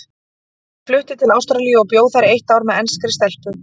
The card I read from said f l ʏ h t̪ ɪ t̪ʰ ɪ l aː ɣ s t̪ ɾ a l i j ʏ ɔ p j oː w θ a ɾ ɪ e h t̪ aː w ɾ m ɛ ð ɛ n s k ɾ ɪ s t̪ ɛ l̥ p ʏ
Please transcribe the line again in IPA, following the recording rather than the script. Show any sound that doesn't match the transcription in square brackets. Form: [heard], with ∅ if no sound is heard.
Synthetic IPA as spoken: f l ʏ h t̪ ɪ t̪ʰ ɪ l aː [w] s t̪ ɾ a l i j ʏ ɔ p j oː w θ a ɾ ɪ e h t̪ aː w ɾ m ɛ ð ɛ n s k ɾ ɪ s t̪ ɛ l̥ p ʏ